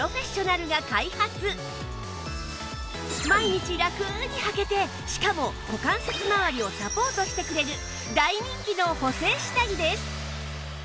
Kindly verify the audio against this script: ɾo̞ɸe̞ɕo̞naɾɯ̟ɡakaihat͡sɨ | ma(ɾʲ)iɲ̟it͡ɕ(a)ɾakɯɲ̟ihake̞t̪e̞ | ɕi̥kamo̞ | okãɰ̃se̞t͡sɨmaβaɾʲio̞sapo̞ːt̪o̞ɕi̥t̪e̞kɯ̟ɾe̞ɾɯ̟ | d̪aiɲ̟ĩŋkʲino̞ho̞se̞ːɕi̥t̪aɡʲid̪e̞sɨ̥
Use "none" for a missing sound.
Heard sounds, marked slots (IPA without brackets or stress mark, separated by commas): none, i